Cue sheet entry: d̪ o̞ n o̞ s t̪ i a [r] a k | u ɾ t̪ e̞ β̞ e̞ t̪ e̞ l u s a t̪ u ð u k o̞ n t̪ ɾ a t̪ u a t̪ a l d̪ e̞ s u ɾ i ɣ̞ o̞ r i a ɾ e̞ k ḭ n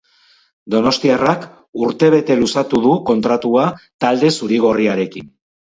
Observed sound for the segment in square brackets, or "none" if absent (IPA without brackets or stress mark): r